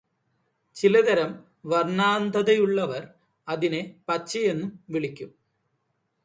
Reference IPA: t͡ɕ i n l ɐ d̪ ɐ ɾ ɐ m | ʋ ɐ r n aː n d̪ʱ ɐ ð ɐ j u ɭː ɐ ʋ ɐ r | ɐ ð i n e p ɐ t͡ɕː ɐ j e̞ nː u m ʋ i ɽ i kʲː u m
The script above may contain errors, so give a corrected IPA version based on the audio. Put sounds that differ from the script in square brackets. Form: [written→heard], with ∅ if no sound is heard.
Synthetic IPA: t͡ɕ i [n→∅] l ɐ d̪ ɐ ɾ ɐ m | ʋ ɐ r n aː n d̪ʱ ɐ ð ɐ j u ɭː ɐ ʋ ɐ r | ɐ ð i n e p ɐ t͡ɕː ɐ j e̞ nː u m ʋ i [ɽ→ɭ] i kʲː u m